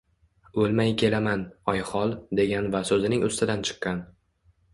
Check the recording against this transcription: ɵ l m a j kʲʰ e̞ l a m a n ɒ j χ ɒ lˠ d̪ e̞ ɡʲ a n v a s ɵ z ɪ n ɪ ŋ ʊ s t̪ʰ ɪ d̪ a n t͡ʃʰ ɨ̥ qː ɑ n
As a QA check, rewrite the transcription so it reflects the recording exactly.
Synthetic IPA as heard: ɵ l m a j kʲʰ e̞ l a m a n ɒ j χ ɒ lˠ d̪ e̞ ɡʲ a n v a s ɵ z ɪ n ɪ ŋ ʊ s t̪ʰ ɪ d̪ a n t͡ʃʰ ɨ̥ qː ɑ n